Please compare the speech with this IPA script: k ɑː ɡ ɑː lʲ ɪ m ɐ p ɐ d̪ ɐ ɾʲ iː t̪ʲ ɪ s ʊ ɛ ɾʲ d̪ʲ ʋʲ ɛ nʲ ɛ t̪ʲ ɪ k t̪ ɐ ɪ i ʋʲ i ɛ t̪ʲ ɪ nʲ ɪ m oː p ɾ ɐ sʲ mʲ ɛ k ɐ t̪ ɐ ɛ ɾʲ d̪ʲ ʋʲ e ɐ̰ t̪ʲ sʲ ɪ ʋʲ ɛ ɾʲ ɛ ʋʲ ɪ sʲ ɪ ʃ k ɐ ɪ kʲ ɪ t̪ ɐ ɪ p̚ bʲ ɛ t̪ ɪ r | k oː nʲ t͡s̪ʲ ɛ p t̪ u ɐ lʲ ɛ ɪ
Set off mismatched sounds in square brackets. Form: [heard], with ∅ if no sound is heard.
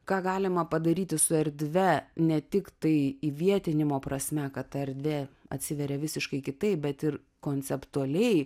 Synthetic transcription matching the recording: k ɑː ɡ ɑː lʲ ɪ m ɐ p ɐ d̪ ɐ ɾʲ iː t̪ʲ ɪ s ʊ ɛ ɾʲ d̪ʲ ʋʲ ɛ nʲ ɛ t̪ʲ ɪ k t̪ ɐ ɪ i ʋʲ i ɛ t̪ʲ ɪ nʲ ɪ m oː p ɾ ɐ sʲ mʲ ɛ k ɐ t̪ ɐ ɛ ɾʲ d̪ʲ ʋʲ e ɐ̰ t̪ʲ sʲ ɪ ʋʲ ɛ ɾʲ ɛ ʋʲ ɪ sʲ ɪ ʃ k ɐ ɪ kʲ ɪ t̪ ɐ ɪ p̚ bʲ ɛ t̪ ɪ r | k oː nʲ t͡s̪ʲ ɛ p t̪ u ɐ lʲ ɛ ɪ